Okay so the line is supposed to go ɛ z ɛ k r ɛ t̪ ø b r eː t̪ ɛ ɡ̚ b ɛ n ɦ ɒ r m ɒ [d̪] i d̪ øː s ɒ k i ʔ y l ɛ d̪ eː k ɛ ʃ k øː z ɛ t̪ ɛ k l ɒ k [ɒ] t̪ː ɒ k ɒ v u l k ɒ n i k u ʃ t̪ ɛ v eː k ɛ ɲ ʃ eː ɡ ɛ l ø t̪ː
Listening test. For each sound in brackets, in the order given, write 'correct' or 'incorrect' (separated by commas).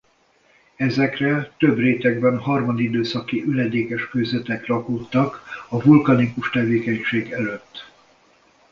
correct, incorrect